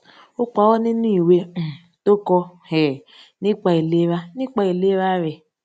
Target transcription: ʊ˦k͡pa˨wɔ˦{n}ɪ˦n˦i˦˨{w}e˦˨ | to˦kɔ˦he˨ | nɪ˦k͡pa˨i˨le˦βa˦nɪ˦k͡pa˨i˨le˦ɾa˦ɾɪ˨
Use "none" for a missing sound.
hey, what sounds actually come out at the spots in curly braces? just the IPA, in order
n, w

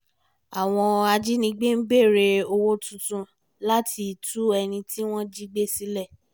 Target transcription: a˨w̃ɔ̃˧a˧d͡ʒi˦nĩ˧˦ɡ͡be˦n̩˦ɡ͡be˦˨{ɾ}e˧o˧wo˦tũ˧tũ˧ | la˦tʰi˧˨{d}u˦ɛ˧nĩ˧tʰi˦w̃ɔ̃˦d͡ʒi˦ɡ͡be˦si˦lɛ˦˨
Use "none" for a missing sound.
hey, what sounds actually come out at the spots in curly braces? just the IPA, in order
ɾ, t

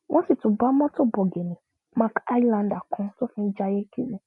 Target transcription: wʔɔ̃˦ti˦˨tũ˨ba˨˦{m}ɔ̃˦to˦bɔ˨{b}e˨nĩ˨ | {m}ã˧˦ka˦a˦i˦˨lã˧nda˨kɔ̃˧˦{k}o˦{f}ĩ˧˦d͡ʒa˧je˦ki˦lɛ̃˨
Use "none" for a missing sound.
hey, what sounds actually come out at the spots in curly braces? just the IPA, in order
m, ɡ, m, t, f

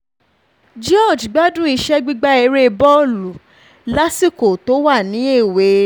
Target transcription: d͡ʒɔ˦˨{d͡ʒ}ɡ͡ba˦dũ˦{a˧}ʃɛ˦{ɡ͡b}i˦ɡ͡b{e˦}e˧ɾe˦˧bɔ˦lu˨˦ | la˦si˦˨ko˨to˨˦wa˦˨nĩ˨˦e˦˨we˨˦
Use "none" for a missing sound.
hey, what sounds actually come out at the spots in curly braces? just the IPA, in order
d͡ʒ, i˧, ɡ͡b, a˦

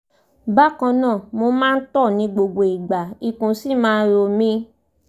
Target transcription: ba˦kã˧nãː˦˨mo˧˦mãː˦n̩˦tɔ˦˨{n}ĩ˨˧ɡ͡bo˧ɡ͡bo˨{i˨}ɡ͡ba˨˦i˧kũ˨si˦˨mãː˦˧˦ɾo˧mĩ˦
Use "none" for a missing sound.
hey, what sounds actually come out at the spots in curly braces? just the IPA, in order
n, i˨

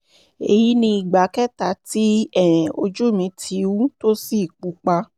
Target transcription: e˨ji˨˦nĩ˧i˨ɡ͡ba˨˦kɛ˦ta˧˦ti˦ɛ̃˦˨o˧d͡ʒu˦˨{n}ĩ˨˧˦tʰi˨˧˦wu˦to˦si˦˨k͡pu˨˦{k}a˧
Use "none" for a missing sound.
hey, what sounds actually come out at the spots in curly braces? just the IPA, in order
m, k͡p

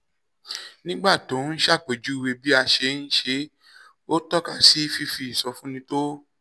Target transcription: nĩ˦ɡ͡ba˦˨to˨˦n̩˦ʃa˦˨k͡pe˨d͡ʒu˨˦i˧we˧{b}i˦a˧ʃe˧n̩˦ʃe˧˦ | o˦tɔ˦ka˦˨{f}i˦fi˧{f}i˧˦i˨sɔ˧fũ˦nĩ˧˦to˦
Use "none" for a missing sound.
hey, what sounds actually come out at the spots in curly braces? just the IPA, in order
b, s, f

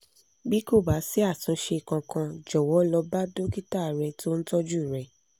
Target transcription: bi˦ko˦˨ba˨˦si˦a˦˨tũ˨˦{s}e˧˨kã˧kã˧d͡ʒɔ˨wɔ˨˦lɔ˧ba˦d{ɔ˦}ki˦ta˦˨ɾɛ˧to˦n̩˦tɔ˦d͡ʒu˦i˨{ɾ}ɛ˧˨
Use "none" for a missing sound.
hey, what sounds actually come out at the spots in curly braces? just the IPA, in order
ʃ, o˦, ɾ

